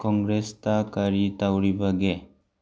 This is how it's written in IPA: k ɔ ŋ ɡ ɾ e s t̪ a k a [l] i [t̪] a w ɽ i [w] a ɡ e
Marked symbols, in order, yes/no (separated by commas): no, yes, no